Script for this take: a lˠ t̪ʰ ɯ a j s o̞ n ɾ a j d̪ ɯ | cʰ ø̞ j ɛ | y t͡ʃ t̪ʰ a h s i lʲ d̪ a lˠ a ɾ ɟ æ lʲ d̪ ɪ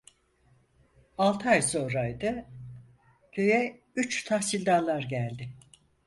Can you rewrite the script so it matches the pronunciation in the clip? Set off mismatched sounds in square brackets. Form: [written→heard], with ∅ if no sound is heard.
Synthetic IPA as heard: a lˠ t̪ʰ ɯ a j s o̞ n ɾ a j d̪ ɯ | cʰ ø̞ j ɛ | y t͡ʃ t̪ʰ a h s i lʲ d̪ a lˠ a ɾ ɟ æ lʲ d̪ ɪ